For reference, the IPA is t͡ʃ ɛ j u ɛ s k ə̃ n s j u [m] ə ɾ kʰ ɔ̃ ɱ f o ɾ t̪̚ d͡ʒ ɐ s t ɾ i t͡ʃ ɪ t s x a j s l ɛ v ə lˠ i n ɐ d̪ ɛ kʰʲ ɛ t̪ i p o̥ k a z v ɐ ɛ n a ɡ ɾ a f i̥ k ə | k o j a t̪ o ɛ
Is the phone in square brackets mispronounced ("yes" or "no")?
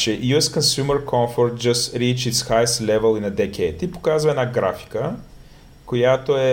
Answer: no